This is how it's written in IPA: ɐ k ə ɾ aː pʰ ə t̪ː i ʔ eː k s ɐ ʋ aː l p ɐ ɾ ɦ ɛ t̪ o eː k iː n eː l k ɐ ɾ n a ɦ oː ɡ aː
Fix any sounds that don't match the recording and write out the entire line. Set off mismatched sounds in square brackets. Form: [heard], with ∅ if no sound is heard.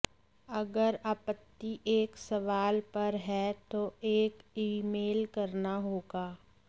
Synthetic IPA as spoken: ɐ [ɡ] ə ɾ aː [p] ə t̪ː i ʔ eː k s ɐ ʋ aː l p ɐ ɾ ɦ ɛ t̪ o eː k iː [m] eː l k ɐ ɾ n a ɦ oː ɡ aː